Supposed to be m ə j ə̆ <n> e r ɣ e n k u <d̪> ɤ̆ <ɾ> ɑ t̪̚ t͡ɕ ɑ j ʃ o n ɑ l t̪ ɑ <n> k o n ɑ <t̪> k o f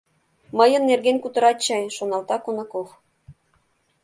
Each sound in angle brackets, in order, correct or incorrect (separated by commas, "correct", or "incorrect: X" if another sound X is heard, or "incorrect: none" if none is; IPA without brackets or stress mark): incorrect: nː, incorrect: t̪, correct, incorrect: none, incorrect: none